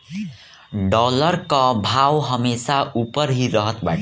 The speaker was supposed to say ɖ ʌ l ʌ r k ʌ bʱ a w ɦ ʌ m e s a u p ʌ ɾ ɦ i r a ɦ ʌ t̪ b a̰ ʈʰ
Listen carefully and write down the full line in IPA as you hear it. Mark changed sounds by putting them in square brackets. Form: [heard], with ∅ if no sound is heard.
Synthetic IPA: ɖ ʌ l ʌ r k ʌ bʱ a w ɦ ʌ m e s a u p ʌ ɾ ɦ i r [ʌ] ɦ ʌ t̪ b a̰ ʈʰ